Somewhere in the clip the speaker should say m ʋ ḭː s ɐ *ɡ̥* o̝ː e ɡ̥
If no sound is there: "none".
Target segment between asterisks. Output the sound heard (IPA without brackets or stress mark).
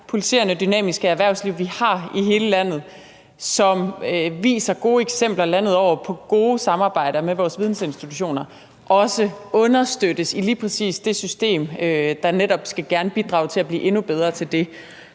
ɡ̥